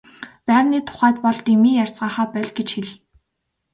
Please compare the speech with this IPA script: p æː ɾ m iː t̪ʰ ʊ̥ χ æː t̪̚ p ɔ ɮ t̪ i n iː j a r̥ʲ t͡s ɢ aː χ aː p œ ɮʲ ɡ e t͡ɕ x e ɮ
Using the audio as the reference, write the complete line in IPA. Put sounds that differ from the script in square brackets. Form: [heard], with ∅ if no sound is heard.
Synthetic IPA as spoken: p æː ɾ [n] iː t̪ʰ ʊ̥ χ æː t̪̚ p ɔ ɮ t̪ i [m] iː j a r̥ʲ t͡s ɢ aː χ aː p œ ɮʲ ɡ e t͡ɕ x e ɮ